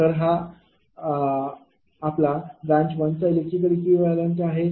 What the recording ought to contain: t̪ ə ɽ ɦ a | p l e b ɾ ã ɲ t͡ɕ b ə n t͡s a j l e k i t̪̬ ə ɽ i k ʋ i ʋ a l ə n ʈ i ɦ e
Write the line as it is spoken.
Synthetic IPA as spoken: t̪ ə ɾ ɦ a | p l a b ɾ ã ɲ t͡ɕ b ə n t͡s a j l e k i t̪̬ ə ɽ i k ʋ i ʋ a l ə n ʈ a ɦ e